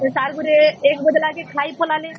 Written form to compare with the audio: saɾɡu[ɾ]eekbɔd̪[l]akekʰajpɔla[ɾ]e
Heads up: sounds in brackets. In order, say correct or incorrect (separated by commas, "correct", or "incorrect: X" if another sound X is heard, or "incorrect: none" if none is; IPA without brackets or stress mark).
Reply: correct, correct, incorrect: l